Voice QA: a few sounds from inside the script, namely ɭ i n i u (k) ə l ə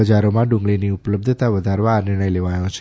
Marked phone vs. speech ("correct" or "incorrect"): incorrect